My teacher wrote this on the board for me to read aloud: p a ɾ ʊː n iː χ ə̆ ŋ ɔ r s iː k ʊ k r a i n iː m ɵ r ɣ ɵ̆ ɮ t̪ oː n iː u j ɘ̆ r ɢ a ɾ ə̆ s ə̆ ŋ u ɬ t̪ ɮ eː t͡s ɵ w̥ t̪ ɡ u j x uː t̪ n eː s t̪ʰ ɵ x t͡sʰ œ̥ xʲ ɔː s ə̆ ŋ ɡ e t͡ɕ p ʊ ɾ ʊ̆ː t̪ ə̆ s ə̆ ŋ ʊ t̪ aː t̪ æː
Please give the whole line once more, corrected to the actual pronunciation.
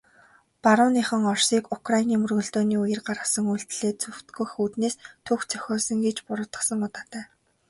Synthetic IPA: p a ɾ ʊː n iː χ ə̆ ŋ ɔ r s iː k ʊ k r a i n iː m ɵ r ɣ ɵ̆ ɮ t̪ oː n iː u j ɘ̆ r ɢ a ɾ ə̆ s ə̆ ŋ u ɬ t̪ ɮ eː t͡s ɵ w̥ t̪ ɡ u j x uː t̪ n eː s t̪ʰ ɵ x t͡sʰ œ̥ xʲ ɔː s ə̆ ŋ ɡ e t͡ɕ p ʊ ɾ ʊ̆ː t̪ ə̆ s ə̆ ŋ ʊ t̪ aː t̪ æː